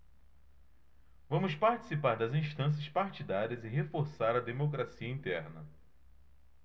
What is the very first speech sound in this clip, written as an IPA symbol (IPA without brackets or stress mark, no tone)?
v